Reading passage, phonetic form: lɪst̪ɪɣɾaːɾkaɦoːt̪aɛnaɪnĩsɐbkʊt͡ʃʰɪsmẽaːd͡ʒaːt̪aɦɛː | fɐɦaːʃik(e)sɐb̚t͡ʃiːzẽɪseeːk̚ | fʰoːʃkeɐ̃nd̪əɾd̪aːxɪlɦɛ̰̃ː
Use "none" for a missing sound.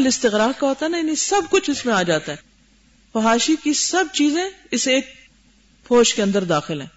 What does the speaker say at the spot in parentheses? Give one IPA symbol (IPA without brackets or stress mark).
i